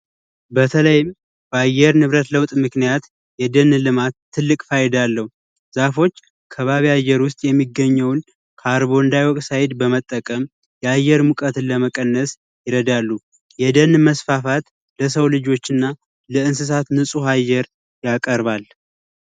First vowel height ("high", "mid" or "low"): mid